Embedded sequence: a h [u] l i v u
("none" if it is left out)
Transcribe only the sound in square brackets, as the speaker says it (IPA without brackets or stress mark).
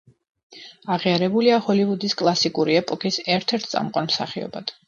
ɔ